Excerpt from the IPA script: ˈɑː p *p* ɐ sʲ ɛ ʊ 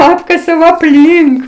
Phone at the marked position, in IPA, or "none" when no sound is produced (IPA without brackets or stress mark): k